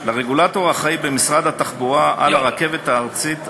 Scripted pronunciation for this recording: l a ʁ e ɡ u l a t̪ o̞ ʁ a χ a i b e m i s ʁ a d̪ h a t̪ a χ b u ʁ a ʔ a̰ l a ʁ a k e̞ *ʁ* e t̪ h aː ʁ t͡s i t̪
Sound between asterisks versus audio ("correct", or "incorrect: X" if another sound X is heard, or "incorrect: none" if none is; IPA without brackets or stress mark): incorrect: v